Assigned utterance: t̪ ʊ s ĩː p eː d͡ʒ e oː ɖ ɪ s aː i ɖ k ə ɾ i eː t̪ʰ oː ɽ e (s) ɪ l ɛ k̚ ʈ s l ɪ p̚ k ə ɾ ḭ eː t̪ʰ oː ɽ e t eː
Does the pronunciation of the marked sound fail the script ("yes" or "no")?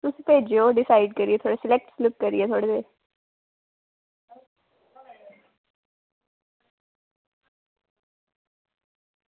no